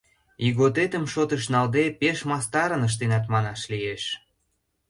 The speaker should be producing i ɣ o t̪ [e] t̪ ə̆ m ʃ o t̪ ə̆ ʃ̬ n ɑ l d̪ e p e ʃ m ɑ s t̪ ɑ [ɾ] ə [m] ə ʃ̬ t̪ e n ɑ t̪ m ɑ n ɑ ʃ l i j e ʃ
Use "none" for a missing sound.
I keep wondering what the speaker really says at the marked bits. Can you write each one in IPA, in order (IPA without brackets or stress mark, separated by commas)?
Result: e, ɾ, n